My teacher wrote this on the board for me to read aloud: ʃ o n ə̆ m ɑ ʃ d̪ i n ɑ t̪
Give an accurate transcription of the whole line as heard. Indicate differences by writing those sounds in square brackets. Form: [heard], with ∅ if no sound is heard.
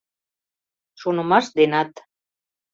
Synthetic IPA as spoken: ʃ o n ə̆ m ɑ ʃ d̪ [e] n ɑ t̪